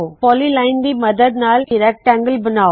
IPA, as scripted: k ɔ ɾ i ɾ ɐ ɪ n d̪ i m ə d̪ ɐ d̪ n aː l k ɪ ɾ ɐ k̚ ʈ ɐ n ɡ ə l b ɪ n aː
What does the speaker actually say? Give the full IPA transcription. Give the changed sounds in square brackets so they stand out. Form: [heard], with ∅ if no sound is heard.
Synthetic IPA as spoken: [p] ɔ [l] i [l] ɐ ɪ n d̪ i m [ɐ] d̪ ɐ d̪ n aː l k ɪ ɾ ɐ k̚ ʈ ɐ [ŋ] ɡ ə l b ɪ n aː